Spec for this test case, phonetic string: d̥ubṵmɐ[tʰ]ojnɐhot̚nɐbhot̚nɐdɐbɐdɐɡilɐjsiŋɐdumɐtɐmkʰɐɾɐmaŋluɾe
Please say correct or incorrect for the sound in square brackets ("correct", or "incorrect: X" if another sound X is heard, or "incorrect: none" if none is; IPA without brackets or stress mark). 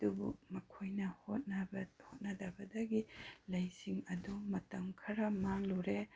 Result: incorrect: kʰ